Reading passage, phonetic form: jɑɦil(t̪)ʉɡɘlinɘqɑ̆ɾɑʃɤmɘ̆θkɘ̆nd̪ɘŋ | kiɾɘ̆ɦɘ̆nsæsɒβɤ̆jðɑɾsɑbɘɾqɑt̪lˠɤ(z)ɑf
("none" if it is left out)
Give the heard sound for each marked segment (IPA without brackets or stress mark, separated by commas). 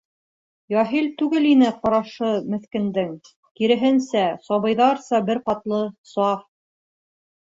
t̪, s